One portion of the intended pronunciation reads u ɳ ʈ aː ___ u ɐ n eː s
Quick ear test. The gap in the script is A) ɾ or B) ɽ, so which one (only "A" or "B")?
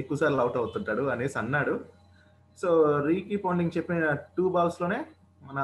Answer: B